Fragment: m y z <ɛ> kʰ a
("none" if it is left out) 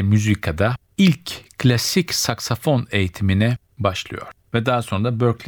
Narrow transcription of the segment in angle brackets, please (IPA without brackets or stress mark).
i